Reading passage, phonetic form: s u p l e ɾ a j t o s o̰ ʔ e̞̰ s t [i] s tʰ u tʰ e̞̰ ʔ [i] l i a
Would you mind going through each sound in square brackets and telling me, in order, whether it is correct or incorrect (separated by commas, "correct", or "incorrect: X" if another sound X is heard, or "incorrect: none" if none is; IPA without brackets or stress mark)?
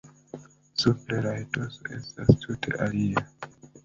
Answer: incorrect: a, incorrect: a